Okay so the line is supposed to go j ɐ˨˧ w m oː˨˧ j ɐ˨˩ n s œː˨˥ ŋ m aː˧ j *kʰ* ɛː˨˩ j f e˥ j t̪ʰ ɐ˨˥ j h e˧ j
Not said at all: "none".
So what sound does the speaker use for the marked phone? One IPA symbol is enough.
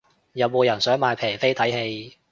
pʰ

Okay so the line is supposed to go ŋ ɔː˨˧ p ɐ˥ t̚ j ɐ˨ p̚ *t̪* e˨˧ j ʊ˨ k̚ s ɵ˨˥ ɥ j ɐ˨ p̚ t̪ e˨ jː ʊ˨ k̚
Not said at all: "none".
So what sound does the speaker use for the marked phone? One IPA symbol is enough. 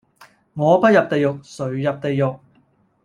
t̪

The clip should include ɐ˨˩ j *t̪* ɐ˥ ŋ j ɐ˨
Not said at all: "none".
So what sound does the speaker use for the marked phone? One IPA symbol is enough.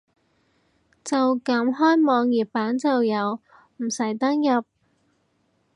t̪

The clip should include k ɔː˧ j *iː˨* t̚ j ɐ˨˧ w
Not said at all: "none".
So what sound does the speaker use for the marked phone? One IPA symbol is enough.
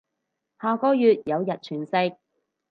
yː˨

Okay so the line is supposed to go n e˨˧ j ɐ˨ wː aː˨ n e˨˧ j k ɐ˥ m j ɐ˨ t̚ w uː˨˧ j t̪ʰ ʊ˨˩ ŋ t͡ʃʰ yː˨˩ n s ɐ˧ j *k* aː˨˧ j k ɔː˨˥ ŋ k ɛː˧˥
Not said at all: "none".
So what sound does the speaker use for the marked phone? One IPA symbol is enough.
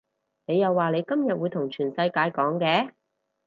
k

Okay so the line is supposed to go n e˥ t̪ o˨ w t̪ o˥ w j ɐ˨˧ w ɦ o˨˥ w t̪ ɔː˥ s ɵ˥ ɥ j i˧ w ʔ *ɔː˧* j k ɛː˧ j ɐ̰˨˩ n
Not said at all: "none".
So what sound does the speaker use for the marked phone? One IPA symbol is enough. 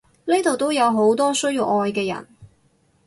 ɔː˧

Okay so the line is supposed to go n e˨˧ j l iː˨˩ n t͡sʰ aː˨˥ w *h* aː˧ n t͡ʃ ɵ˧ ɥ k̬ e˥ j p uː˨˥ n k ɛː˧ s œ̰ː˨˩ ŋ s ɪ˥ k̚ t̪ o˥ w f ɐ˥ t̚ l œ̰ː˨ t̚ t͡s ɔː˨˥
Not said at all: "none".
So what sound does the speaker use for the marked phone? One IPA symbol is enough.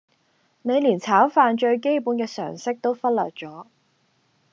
f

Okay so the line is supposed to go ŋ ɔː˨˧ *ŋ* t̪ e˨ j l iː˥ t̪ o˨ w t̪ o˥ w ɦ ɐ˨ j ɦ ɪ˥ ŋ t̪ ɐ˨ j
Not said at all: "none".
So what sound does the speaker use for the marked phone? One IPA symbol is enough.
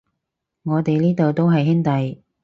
none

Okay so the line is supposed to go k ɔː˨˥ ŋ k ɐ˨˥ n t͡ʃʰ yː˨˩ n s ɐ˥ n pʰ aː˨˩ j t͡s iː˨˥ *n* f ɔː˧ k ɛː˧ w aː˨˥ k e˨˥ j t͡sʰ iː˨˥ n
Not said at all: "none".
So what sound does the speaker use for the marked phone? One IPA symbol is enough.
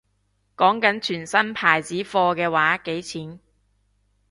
none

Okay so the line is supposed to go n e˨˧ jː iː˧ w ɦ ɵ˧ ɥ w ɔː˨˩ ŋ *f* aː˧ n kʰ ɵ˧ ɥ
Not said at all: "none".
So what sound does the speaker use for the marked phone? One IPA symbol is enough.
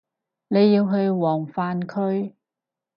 f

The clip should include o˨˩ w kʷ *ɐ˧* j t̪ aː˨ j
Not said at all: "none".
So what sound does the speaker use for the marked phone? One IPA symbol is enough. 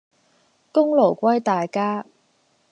ɐ˥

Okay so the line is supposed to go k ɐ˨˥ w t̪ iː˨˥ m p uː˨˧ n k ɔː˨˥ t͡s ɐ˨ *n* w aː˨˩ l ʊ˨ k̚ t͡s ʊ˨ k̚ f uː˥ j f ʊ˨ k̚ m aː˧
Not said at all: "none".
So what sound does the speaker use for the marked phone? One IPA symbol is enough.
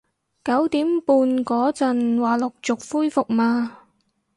n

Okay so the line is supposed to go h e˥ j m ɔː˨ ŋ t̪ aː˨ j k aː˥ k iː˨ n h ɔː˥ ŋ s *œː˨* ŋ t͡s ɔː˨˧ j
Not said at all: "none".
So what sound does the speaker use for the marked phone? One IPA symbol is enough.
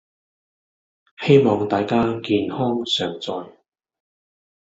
œː˨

